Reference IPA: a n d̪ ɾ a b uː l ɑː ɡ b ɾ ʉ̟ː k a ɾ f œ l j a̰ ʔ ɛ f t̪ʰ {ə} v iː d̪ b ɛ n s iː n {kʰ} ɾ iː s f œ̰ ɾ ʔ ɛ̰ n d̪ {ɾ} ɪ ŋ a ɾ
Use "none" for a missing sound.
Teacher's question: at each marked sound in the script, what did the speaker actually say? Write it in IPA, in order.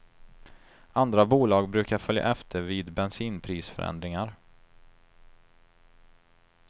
ə, pʰ, ɾ

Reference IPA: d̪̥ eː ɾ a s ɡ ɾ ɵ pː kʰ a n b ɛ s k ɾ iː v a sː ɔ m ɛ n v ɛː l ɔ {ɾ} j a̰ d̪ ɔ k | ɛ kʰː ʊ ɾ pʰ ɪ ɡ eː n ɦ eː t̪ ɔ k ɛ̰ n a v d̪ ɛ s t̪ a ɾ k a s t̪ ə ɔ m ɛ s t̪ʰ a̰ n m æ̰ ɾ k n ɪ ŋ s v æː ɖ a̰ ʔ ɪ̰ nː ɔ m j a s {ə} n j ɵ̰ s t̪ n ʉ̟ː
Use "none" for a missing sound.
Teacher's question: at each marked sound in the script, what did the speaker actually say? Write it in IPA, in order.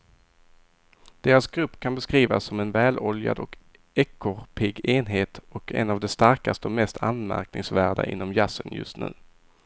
l, ə

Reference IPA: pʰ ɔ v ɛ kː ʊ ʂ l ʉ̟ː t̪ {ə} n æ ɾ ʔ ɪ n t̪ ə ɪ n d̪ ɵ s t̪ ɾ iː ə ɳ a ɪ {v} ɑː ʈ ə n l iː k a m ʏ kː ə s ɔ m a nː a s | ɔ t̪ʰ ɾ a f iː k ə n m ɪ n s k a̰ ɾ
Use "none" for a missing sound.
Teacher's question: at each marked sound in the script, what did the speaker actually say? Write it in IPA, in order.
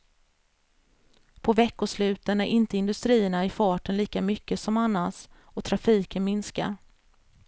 ə, f

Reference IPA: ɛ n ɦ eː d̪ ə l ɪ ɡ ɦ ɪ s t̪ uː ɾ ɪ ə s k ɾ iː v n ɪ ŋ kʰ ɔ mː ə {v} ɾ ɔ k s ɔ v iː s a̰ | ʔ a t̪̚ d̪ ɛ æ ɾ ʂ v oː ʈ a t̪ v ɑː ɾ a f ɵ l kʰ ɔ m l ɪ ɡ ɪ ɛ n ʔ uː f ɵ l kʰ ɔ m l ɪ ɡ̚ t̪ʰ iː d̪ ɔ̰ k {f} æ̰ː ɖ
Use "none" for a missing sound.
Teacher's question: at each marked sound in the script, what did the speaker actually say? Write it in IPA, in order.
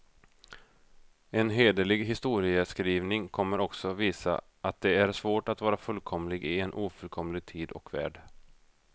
none, v

